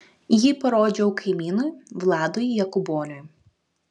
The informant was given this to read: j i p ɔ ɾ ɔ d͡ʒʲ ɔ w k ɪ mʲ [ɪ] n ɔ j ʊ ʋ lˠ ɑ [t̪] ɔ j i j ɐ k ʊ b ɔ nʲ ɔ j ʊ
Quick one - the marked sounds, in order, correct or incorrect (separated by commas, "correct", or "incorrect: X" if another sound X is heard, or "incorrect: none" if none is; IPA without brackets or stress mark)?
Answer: incorrect: i, incorrect: d̪